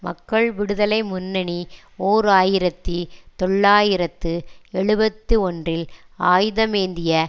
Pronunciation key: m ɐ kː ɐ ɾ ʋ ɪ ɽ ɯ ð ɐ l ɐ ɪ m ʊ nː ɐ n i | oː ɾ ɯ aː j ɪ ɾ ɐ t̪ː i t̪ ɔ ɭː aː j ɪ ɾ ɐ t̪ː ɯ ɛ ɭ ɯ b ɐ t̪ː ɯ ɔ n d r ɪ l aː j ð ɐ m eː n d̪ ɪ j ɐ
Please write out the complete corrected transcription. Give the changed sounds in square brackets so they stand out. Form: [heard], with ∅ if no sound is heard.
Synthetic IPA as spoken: m ɐ kː ɐ [ɭ] ʋ ɪ ɽ ɯ ð ɐ l ɐ ɪ m ʊ nː ɐ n i | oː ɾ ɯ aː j ɪ ɾ ɐ t̪ː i t̪ ɔ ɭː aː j ɪ ɾ ɐ t̪ː ɯ ɛ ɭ ɯ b ɐ t̪ː ɯ ɔ n d r ɪ l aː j ð ɐ m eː n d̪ ɪ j ɐ